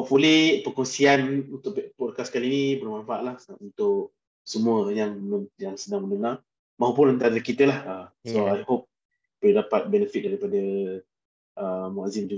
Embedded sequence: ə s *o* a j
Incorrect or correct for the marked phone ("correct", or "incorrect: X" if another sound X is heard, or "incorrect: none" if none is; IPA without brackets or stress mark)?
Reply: correct